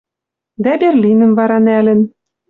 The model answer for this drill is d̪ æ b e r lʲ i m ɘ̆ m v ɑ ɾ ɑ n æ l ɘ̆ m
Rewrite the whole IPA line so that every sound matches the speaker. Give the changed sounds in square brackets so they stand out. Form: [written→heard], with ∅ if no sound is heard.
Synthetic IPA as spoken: d̪ æ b e r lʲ i [m→n] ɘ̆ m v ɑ ɾ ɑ n æ l ɘ̆ [m→n]